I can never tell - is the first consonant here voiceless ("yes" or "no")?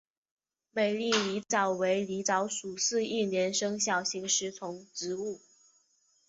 no